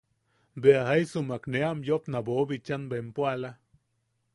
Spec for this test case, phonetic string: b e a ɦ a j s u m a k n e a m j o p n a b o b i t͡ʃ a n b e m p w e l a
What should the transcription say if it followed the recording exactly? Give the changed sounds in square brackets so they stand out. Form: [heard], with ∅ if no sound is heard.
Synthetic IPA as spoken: b e a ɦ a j s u m a k n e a m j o p n a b o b i t͡ʃ a n b e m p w [a] l a